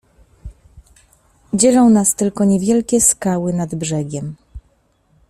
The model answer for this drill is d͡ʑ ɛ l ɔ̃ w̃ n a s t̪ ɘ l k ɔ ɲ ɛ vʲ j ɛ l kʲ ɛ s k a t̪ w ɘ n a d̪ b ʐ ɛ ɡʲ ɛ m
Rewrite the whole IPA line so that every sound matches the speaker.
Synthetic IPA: d͡ʑ ɛ l ɔ̃ w̃ n a s t̪ ɘ l k ɔ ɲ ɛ vʲ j ɛ l kʲ ɛ s k a w ɘ n a d̪ b ʐ ɛ ɡʲ ɛ m

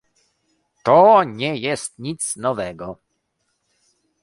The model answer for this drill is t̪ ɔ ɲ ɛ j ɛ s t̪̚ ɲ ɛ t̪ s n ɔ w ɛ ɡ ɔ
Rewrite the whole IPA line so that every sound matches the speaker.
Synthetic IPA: t̪ ɔ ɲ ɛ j ɛ s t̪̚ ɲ i t̪ s n ɔ v ɛ ɡ ɔ

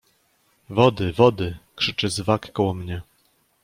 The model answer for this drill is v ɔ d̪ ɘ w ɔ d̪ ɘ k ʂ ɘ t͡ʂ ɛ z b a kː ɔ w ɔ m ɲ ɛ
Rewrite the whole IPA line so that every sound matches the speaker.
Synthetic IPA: v ɔ d̪ ɘ v ɔ d̪ ɘ k ʂ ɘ t͡ʂ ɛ z v a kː ɔ w ɔ m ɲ ɛ

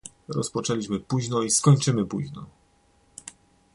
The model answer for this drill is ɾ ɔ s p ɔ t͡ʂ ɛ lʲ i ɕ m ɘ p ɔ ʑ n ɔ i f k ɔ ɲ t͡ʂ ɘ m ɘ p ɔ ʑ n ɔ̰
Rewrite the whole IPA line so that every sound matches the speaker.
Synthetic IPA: ɾ ɔ s p ɔ t͡ʂ ɛ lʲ i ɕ m ɘ p u ʑ n ɔ i s k ɔ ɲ t͡ʂ ɘ m ɘ p u ʑ n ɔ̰

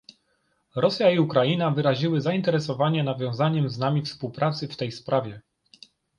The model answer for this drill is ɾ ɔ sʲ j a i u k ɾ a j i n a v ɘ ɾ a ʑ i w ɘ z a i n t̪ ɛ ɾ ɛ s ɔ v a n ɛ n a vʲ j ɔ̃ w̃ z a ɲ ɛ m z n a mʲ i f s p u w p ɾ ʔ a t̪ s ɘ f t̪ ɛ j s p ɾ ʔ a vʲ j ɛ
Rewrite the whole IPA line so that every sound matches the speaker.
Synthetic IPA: ɾ ɔ sʲ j a i u k ɾ a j i n a v ɘ ɾ a ʑ i w ɘ z a i n t̪ ɛ ɾ ɛ s ɔ v a ɲ ɛ n a vʲ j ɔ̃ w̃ z a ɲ ɛ m z n a mʲ i f s p u w p ɾ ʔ a t̪ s ɘ f t̪ ɛ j s p ɾ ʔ a vʲ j ɛ

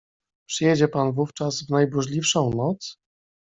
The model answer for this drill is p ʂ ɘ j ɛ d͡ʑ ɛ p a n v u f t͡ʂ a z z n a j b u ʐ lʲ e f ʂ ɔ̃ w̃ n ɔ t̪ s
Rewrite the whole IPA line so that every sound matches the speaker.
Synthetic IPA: p ʂ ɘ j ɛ d͡ʑ ɛ p a n v u f t͡ʂ a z v n a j b u ʐ lʲ i f ʂ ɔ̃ w̃ n ɔ t̪ s

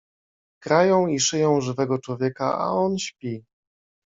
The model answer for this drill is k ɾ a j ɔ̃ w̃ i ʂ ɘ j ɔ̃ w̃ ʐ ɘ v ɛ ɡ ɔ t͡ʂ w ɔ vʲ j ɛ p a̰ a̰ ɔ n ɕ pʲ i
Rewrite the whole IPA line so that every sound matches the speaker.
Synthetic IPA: k ɾ a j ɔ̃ w̃ i ʂ ɘ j ɔ̃ w̃ ʐ ɘ v ɛ ɡ ɔ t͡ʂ w ɔ vʲ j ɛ k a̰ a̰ ɔ n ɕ pʲ i

